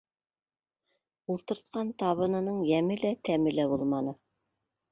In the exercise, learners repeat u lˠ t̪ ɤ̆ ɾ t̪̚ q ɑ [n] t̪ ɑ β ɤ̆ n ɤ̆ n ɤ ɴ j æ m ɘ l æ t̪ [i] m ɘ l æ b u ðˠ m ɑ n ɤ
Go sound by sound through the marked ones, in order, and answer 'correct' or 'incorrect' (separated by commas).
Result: correct, incorrect